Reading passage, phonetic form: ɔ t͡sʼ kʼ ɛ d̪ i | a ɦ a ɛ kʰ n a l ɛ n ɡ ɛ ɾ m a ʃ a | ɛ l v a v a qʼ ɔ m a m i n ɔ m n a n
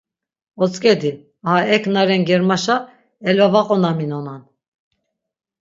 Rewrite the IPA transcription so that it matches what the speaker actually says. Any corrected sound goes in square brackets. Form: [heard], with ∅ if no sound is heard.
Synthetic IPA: ɔ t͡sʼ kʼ ɛ d̪ i | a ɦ a ɛ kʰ n a [ɾ] ɛ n ɡ ɛ ɾ m a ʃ a | ɛ l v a v a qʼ ɔ [n] a m i n ɔ [∅] n a n